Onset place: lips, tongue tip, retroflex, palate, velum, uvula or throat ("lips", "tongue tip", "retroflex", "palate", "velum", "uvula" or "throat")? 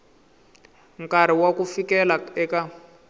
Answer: velum